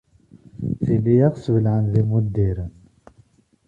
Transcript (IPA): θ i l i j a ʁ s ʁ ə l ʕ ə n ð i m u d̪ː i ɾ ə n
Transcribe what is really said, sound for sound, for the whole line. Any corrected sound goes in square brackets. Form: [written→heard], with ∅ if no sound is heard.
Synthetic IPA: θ i l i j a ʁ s [ʁ→v] ə l ʕ ə n ð i m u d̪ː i ɾ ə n